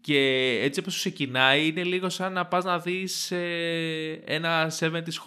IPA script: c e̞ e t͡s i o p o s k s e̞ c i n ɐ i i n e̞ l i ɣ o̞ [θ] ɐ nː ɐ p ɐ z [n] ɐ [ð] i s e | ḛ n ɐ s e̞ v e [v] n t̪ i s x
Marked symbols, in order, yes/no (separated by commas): no, yes, yes, no